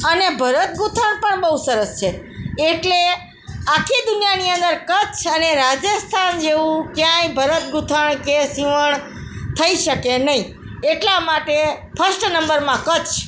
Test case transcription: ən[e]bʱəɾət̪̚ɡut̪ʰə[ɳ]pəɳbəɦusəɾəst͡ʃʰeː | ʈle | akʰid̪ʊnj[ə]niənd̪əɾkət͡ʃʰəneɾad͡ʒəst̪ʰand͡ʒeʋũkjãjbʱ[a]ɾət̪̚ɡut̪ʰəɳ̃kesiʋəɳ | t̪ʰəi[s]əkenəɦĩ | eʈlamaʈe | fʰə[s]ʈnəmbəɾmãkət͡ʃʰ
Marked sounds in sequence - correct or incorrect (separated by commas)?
correct, correct, incorrect, incorrect, incorrect, correct